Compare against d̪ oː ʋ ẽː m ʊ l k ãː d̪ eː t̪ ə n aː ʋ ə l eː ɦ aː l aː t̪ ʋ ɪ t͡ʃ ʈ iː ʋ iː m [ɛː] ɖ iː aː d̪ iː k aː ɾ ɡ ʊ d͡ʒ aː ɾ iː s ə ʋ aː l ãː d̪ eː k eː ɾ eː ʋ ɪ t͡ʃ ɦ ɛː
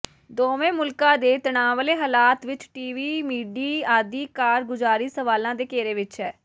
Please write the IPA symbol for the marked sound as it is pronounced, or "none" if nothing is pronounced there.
iː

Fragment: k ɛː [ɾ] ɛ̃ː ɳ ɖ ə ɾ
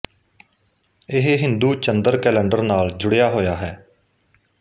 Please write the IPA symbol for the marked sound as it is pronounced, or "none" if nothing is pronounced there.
l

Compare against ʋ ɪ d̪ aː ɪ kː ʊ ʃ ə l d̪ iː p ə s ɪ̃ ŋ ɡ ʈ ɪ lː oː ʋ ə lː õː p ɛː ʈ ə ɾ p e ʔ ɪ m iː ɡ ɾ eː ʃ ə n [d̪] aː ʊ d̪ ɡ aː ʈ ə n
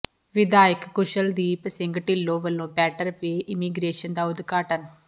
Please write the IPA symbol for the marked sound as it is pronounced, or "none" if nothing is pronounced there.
d̪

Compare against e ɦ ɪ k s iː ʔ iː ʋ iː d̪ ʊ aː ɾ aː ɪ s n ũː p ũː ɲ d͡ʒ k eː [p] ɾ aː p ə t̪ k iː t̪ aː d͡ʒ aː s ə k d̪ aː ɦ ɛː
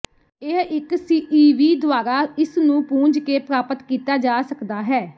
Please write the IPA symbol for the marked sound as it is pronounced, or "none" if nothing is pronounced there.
p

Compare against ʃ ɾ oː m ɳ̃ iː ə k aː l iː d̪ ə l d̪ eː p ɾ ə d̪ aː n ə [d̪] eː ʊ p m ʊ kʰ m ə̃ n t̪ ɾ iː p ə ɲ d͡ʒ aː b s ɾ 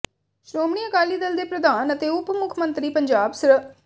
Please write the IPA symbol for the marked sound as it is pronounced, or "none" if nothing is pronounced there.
t̪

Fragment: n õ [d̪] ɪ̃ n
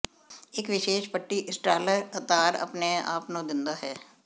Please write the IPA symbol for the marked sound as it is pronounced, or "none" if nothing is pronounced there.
d̪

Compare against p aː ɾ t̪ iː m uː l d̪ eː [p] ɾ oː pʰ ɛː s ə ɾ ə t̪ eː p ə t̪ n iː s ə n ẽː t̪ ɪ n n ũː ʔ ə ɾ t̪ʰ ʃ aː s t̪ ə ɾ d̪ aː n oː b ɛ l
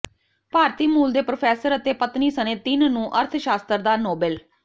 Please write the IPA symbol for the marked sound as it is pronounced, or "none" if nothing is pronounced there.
p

